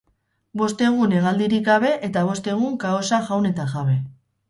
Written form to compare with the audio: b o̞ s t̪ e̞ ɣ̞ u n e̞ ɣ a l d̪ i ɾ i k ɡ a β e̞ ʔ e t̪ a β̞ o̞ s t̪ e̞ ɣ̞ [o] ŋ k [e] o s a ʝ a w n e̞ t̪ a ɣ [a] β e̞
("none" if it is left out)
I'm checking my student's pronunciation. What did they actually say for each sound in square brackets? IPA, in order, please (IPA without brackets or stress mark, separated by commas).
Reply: u, a, a